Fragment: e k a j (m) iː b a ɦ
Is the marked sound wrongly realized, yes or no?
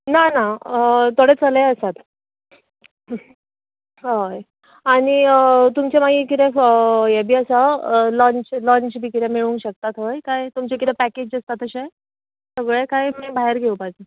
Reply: no